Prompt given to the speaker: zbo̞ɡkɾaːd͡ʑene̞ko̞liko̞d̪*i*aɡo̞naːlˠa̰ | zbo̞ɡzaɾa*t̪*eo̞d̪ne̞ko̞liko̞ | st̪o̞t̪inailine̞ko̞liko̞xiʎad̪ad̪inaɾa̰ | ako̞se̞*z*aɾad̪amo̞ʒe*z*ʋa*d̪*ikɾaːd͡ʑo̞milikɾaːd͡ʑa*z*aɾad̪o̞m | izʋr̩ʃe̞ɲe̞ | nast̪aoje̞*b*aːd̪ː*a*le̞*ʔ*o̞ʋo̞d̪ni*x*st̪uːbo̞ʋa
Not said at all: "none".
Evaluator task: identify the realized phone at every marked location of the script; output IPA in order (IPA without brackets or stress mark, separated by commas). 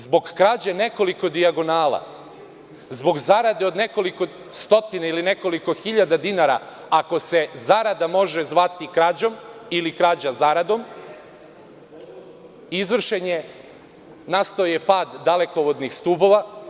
i, d̪, z, z, t̪, z, p, a, k, x